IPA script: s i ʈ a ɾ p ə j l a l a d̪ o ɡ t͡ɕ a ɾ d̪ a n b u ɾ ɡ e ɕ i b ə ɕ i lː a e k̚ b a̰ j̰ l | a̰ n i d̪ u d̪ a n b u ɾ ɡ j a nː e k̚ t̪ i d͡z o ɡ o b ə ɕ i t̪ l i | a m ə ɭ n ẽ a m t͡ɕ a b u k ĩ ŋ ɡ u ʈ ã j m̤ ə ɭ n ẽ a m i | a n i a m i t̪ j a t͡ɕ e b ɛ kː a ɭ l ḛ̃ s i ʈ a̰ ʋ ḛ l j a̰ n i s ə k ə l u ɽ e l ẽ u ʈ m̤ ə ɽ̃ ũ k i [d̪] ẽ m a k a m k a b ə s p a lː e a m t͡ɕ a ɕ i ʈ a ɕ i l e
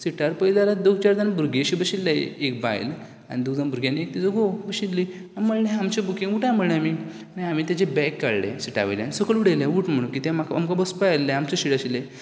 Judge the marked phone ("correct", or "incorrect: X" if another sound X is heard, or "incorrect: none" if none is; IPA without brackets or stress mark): incorrect: t̪